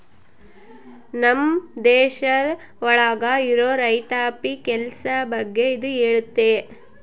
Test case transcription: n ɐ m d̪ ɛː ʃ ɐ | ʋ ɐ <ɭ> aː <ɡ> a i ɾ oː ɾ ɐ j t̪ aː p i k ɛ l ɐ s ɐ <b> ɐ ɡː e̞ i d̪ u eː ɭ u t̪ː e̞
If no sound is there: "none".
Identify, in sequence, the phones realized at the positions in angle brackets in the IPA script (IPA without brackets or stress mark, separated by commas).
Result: ɭ, ɡ, b